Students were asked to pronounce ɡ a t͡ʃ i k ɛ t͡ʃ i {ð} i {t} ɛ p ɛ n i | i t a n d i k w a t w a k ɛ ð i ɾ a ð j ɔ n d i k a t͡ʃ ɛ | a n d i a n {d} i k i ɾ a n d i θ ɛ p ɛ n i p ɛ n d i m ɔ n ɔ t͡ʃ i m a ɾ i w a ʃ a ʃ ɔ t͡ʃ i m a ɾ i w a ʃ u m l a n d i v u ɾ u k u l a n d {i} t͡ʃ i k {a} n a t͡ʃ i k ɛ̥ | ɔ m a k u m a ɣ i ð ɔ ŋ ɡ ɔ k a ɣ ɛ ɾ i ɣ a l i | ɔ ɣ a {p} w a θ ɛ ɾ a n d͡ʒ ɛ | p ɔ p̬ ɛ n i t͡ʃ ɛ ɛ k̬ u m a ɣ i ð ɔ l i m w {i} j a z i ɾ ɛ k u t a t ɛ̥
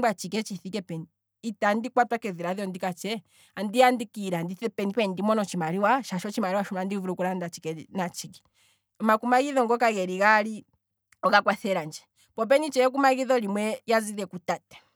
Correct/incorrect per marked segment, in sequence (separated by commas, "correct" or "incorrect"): incorrect, incorrect, correct, incorrect, incorrect, incorrect, incorrect